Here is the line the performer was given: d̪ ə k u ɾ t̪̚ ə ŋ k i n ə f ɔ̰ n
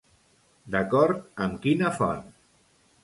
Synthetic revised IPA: d̪ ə k ɔ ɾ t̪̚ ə m k i n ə f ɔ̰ n